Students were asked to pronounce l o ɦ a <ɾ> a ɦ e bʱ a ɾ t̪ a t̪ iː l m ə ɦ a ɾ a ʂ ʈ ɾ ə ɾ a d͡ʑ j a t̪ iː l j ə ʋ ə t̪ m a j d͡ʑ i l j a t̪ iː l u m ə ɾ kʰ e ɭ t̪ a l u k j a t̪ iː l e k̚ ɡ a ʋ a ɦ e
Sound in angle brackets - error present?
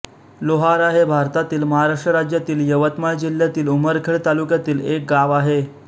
no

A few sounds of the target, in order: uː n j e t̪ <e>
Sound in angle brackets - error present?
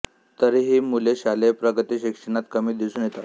yes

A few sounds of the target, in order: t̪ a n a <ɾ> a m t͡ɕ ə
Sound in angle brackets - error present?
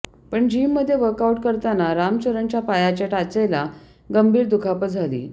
no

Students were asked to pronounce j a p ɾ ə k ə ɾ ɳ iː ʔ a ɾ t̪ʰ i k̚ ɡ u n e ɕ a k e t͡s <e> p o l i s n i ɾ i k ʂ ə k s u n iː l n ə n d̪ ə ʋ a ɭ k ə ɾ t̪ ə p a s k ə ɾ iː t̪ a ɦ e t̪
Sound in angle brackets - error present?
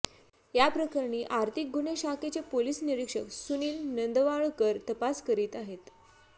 no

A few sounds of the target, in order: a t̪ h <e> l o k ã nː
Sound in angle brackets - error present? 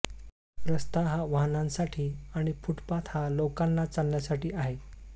yes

